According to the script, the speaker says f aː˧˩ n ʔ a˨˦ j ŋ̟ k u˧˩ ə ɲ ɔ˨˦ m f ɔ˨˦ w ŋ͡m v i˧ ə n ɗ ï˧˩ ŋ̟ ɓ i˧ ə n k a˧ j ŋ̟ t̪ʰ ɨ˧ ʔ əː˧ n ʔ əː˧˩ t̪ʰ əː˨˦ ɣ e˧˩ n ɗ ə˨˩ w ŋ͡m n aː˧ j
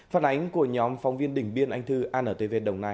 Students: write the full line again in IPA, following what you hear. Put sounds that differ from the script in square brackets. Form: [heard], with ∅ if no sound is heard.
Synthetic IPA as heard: f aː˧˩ n ʔ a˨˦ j ŋ̟ k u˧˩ ə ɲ ɔ˨˦ m f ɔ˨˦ w ŋ͡m v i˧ ə n ɗ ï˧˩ ŋ̟ ɓ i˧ ə n [ʔ] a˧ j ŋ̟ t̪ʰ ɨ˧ ʔ [aː˧] n ʔ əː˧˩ [t̪] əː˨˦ [v] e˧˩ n ɗ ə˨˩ w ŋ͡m n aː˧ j